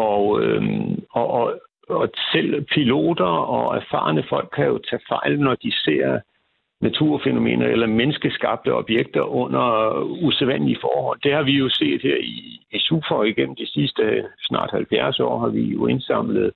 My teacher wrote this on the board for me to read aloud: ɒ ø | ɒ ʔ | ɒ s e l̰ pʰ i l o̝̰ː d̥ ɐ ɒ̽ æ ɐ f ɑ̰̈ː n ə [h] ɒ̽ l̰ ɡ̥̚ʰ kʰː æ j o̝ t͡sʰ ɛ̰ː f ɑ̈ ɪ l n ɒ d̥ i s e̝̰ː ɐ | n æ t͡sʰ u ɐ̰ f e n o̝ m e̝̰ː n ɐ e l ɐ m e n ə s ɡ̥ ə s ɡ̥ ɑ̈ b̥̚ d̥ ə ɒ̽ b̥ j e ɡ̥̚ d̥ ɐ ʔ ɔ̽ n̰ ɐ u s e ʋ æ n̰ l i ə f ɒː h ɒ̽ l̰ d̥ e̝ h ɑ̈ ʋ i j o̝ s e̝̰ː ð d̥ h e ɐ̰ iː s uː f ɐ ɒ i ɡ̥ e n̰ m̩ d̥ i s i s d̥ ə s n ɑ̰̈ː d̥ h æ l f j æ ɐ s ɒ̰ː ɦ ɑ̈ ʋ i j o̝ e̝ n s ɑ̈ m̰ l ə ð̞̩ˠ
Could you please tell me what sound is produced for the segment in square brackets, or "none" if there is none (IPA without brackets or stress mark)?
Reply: f